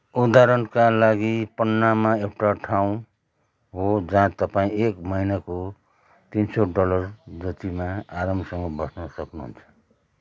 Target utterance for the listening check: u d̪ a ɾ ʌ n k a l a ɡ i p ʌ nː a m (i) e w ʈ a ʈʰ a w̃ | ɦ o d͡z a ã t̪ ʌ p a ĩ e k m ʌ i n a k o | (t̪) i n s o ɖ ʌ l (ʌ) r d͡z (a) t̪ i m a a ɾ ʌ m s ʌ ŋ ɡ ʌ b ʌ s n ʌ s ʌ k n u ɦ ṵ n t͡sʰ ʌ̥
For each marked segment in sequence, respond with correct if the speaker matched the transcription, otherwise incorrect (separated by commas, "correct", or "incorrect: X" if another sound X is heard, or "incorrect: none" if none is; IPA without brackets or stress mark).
incorrect: a, correct, correct, incorrect: ʌ